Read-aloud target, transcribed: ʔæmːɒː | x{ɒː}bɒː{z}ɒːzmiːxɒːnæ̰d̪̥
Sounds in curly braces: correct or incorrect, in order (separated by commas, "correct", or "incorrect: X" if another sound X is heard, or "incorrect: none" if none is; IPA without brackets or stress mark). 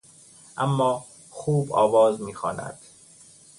incorrect: uː, incorrect: v